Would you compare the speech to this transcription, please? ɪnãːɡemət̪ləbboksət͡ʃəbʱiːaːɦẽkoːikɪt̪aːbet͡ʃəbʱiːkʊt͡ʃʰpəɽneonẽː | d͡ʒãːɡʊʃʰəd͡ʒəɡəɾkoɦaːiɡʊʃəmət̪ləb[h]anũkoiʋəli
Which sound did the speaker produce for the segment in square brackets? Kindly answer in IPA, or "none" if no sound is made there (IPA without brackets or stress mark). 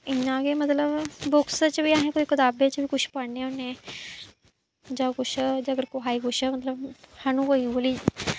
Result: h